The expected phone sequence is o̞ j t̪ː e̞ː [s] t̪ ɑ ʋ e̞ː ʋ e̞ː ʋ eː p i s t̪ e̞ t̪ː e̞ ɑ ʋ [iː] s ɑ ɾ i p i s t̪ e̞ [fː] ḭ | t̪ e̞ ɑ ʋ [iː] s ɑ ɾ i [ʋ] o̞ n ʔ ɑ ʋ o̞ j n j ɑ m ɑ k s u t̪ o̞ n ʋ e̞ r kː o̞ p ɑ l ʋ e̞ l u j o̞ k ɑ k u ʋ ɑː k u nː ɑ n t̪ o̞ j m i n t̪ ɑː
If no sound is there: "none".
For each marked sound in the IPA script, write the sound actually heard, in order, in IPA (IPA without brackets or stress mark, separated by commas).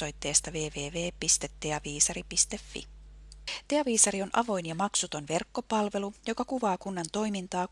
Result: s, iː, fː, iː, none